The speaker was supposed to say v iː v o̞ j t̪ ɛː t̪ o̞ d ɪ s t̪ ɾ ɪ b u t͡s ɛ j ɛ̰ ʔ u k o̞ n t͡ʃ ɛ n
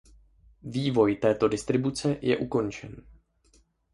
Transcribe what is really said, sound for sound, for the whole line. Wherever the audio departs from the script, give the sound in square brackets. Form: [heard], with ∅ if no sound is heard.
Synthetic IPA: v iː v o̞ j t̪ ɛː t̪ o̞ d ɪ s t̪ ɾ ɪ b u t͡s ɛ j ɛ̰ ʔ u k o̞ n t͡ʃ ɛ n